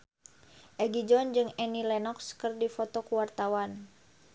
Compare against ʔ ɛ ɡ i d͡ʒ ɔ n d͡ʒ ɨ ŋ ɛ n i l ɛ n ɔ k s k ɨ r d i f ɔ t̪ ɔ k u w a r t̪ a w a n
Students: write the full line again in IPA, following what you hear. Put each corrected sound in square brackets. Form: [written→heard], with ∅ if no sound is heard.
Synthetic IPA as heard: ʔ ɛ ɡ i d͡ʒ ɔ n d͡ʒ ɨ ŋ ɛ n i l ɛ n ɔ k s k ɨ r d i f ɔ t̪ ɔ k u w a r t̪ a w a n